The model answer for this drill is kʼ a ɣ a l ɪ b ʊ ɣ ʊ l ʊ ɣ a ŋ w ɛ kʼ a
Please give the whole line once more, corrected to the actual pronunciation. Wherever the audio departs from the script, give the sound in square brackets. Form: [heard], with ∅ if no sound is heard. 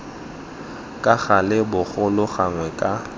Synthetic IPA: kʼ a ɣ a l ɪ b ʊ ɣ ʊ l ʊ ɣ a ŋ w ɛ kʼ a